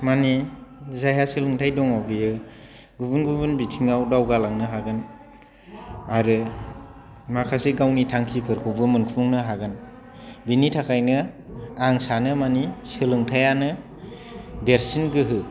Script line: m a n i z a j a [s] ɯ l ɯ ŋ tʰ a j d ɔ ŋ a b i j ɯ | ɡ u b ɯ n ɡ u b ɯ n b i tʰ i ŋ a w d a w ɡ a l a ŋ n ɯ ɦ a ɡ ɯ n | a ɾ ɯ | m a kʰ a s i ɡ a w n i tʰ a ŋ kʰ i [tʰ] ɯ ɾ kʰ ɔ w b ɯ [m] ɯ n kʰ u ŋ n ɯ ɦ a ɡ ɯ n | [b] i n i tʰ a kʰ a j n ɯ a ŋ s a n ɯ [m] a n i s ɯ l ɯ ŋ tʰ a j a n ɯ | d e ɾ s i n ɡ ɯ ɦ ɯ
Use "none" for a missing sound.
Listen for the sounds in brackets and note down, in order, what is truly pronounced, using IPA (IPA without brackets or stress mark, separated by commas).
s, pʰ, m, b, m